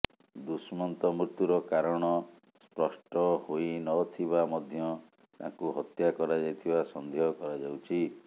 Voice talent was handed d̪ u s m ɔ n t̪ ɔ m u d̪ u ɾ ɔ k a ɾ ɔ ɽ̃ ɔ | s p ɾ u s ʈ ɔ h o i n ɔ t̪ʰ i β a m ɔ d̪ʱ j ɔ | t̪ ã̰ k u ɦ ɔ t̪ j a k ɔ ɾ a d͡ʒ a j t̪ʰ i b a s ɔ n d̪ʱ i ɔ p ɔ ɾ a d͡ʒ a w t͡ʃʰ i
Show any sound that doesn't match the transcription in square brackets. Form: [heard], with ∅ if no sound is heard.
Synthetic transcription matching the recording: d̪ u s m ɔ n t̪ ɔ m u [t̪] u ɾ ɔ k a ɾ ɔ ɽ̃ ɔ | s p ɾ [ɔ] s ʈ ɔ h o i n ɔ t̪ʰ i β a m ɔ d̪ʱ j ɔ | t̪ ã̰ k u ɦ ɔ t̪ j a k ɔ ɾ a d͡ʒ a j t̪ʰ i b a s ɔ n d̪ʱ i ɔ [k] ɔ ɾ a d͡ʒ a w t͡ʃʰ i